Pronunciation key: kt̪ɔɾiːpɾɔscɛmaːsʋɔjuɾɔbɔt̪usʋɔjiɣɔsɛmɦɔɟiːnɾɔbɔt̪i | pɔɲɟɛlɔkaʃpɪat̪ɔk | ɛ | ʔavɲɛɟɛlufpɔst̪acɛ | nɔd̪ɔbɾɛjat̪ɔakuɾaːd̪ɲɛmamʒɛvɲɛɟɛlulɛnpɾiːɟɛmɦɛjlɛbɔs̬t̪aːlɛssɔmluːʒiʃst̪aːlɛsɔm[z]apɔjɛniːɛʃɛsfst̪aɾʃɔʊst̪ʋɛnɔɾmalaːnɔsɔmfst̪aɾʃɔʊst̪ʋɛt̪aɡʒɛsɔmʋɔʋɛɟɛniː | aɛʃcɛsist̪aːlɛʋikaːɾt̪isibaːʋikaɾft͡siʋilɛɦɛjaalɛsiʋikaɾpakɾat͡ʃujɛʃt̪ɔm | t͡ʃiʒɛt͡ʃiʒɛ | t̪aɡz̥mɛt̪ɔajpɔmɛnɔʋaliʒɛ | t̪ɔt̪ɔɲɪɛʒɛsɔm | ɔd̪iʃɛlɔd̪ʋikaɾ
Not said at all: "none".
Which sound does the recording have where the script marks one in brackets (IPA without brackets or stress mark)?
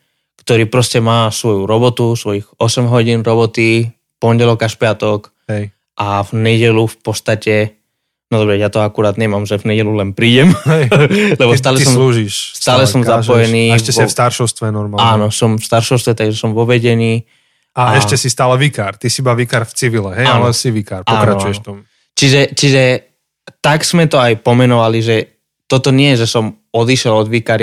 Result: z